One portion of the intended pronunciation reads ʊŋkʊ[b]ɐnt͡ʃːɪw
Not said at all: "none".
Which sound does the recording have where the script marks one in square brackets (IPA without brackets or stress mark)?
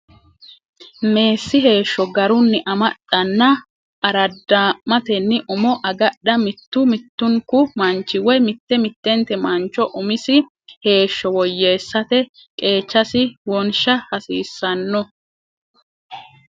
m